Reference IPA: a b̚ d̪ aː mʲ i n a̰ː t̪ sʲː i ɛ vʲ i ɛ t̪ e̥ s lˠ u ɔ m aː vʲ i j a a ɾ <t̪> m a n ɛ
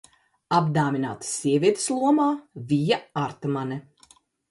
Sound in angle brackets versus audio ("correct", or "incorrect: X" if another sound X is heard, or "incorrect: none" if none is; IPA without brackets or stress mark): correct